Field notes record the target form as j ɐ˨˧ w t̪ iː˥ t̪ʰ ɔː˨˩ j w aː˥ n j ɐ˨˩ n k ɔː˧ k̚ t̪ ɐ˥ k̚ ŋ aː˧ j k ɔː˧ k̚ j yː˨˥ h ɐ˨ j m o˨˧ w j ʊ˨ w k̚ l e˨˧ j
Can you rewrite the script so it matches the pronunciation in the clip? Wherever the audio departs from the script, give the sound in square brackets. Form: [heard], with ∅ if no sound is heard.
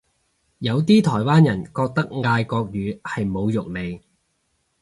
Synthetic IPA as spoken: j ɐ˨˧ w t̪ iː˥ t̪ʰ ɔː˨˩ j w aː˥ n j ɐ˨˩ n k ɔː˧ k̚ t̪ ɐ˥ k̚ ŋ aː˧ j k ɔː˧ k̚ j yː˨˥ h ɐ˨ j m o˨˧ w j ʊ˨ [∅] k̚ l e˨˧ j